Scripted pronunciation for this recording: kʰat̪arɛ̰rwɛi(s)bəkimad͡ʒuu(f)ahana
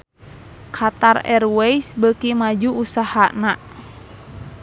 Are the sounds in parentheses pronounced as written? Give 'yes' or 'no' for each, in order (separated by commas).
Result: yes, no